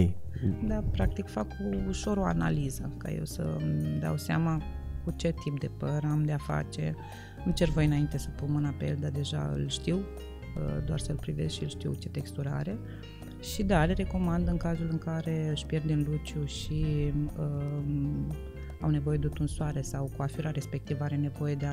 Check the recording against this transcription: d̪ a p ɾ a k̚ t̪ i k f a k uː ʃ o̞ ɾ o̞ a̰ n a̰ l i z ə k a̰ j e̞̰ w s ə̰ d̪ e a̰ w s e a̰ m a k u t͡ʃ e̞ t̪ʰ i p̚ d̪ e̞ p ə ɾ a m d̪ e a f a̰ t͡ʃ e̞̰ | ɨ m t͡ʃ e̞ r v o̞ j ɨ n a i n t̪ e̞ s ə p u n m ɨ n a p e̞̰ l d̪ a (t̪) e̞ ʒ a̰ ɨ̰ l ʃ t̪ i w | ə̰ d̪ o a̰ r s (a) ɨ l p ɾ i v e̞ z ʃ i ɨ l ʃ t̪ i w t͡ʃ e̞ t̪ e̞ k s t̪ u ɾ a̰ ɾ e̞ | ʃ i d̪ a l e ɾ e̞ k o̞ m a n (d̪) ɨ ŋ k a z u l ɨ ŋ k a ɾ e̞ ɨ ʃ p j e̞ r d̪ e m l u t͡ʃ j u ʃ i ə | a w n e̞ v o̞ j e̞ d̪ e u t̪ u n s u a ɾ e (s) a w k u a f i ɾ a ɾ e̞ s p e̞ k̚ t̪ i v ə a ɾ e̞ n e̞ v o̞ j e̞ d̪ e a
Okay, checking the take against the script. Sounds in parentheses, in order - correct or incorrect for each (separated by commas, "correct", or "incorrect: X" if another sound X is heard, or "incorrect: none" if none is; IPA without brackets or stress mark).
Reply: incorrect: d̪, incorrect: ə, correct, correct